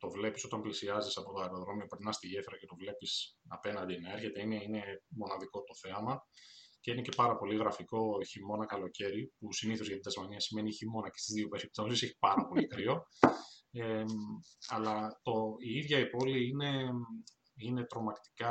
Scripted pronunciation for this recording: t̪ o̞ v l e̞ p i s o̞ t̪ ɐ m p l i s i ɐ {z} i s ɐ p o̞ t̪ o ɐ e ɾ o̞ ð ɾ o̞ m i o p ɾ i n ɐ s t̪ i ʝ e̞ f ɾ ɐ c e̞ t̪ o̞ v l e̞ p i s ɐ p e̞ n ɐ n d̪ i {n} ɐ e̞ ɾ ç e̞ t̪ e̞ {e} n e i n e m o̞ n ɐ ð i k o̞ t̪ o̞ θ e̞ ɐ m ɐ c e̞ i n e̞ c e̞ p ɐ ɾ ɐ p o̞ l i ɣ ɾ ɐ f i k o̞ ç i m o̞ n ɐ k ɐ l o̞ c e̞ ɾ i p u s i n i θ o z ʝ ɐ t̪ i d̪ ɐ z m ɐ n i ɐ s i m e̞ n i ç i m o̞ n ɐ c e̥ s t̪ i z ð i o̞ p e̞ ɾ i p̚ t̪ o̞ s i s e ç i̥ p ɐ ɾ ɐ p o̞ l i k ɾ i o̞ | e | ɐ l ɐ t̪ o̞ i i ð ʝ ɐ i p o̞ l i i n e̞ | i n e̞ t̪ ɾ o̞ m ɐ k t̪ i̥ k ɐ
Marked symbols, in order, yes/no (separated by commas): yes, yes, no